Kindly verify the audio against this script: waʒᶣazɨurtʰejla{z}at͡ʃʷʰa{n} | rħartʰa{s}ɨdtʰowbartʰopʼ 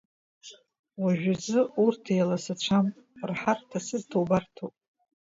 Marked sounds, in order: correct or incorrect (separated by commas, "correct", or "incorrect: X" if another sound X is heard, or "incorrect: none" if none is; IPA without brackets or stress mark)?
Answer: incorrect: s, incorrect: m, correct